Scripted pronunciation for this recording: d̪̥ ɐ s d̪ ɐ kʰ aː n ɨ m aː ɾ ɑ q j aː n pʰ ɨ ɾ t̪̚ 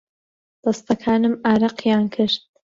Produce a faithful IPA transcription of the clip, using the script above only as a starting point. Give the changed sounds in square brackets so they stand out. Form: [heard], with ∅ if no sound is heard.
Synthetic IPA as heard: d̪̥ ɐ s [t̪] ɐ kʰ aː n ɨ m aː ɾ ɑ q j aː n [kʰ] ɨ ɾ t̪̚